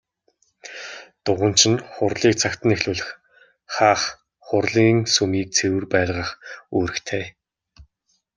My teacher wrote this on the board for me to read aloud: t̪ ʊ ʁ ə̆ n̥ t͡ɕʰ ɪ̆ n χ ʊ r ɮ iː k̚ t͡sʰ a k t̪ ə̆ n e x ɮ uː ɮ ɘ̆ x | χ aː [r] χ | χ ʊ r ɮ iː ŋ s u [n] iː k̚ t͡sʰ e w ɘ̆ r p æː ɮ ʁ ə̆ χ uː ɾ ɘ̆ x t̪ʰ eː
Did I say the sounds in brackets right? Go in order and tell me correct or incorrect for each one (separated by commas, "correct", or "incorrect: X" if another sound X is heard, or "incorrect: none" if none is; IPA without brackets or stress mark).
incorrect: none, incorrect: m